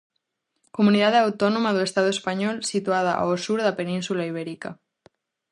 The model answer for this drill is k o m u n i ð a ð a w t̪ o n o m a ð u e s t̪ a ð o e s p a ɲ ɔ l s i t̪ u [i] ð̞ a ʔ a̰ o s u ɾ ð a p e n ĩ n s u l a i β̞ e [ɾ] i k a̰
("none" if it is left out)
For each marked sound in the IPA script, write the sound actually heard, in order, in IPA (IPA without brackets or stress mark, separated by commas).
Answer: a, ɾ